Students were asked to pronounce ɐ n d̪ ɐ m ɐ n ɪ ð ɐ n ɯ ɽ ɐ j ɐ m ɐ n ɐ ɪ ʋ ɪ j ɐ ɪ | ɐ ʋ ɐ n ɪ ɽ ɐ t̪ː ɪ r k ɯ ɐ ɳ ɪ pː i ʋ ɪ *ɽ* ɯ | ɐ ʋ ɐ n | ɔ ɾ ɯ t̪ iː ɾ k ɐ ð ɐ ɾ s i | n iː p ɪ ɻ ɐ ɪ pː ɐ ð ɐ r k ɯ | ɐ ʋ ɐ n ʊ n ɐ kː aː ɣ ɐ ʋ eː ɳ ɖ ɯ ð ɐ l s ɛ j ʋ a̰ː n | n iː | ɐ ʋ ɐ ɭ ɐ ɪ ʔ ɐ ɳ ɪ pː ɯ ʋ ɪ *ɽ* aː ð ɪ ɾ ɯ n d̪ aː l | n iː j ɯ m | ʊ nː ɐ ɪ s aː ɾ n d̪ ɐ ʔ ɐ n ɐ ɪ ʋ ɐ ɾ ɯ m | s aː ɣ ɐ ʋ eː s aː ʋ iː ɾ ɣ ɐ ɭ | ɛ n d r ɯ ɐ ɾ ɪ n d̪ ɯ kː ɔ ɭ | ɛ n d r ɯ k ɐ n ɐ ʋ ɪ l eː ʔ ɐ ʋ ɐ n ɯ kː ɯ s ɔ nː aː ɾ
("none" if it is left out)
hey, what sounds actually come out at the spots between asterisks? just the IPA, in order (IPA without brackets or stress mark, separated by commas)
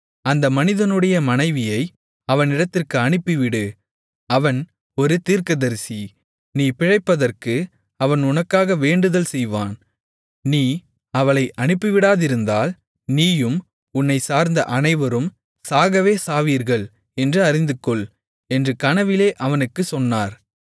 ɽ, ɽ